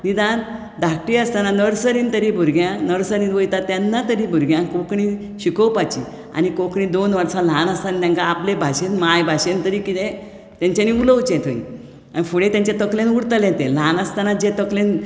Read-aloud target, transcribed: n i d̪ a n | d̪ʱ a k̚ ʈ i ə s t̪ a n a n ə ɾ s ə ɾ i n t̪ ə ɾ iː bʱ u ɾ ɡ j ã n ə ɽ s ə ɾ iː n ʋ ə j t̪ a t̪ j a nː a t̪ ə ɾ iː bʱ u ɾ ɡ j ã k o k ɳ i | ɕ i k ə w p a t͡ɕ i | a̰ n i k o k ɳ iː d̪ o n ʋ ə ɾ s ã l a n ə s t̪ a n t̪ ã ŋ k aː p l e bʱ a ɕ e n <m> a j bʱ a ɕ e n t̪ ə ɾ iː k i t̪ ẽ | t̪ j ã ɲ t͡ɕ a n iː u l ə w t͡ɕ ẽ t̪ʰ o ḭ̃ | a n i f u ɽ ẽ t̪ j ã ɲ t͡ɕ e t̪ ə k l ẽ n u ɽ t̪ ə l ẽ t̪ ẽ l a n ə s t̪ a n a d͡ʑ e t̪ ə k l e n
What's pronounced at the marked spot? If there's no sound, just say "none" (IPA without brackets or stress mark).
m